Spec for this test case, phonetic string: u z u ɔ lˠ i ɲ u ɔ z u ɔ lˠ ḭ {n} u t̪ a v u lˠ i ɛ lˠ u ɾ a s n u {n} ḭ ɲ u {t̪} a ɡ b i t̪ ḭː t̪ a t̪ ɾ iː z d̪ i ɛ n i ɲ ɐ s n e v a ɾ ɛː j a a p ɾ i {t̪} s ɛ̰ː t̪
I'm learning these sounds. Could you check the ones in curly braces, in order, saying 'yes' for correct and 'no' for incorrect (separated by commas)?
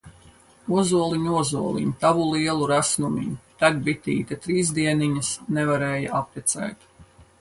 no, no, yes, yes